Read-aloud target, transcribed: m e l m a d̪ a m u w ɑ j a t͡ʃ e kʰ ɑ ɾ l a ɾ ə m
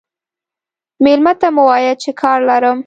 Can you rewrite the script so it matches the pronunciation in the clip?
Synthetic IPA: m e l m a t̪ a m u w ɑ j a t͡ʃ e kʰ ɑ ɾ l a ɾ ə m